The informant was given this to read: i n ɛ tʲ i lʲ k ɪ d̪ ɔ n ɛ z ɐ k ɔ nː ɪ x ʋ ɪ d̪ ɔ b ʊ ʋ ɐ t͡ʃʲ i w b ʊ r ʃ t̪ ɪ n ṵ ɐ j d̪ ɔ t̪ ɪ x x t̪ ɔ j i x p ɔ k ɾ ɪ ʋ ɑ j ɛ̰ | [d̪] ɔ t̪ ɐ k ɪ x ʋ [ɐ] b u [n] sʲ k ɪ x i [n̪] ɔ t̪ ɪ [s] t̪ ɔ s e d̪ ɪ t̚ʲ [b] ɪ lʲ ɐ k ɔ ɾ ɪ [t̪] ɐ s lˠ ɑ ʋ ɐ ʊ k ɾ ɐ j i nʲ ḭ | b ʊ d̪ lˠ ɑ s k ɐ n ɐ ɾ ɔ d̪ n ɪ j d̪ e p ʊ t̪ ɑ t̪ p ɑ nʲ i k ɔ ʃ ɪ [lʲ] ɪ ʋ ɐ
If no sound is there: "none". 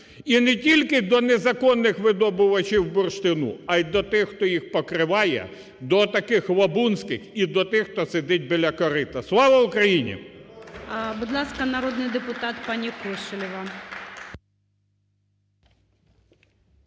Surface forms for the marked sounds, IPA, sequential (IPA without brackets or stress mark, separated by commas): d̪, ɐ, n, d̪, x, b, t̪, lʲ